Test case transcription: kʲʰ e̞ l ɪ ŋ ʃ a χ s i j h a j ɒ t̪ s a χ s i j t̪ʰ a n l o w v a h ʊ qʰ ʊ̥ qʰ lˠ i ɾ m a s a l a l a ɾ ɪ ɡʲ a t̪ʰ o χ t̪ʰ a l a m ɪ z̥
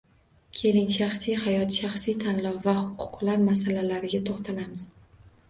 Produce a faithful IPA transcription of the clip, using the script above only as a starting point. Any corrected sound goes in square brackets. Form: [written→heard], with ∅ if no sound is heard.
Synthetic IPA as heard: kʲʰ e̞ l ɪ ŋ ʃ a χ s i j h a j ɒ t̪ [s→ʃ] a χ s i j t̪ʰ a n l [o→ɒ] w v a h ʊ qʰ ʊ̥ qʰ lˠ [i→a] ɾ m a s a l a l a ɾ ɪ ɡʲ a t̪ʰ o χ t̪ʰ a l a m ɪ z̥